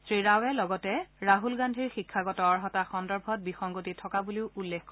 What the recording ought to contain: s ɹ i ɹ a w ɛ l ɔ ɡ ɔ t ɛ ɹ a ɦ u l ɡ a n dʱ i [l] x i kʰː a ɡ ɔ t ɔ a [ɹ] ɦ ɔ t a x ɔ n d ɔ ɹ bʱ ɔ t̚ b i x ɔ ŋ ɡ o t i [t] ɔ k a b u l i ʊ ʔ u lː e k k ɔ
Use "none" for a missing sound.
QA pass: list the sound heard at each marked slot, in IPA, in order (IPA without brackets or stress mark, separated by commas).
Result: ɹ, ɹ, tʰ